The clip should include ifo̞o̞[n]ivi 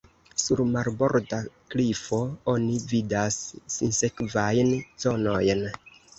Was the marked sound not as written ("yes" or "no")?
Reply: no